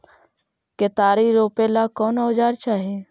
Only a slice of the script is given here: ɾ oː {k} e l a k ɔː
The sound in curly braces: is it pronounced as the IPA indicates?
no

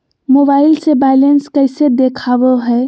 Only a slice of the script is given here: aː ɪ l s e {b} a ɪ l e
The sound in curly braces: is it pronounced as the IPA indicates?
yes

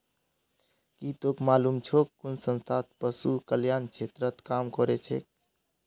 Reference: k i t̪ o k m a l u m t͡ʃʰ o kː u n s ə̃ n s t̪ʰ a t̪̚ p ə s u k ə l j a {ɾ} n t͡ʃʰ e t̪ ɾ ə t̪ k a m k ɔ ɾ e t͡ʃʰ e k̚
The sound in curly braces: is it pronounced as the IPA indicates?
no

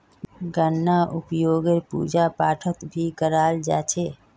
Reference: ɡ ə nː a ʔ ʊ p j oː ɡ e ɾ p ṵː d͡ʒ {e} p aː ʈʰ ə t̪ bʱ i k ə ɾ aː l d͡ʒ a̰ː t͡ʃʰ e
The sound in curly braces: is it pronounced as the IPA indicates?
no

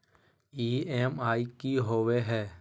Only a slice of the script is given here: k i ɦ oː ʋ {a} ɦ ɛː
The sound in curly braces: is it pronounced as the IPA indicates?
no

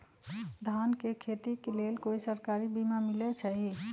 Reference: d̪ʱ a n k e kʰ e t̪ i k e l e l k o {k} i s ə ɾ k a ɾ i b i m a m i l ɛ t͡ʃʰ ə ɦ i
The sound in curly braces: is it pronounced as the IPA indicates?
no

